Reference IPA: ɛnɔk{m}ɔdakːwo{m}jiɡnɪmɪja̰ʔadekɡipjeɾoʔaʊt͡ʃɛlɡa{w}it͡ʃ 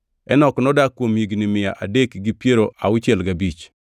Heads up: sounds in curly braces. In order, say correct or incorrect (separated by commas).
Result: incorrect, correct, incorrect